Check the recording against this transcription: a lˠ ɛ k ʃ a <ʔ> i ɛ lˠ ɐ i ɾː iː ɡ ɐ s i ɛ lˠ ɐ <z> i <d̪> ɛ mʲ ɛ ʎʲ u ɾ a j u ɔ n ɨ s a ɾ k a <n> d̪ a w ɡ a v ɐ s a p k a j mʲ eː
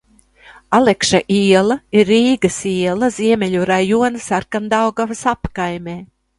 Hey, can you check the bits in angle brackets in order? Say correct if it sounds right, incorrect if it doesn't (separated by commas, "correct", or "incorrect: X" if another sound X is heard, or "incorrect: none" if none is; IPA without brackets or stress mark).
correct, correct, incorrect: none, correct